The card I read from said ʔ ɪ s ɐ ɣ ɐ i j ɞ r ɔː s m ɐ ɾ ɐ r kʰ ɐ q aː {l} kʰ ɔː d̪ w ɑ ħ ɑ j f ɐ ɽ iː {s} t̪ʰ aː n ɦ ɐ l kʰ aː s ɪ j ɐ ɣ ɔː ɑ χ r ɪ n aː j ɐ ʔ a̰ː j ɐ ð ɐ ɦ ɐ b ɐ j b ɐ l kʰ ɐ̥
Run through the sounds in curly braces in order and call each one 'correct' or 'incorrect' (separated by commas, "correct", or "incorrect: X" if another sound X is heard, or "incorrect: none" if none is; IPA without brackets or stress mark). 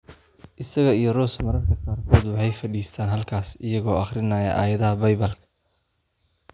incorrect: r, correct